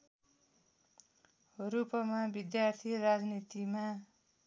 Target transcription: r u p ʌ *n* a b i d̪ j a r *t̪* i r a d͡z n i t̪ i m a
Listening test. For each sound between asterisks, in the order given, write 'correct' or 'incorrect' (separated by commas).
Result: incorrect, incorrect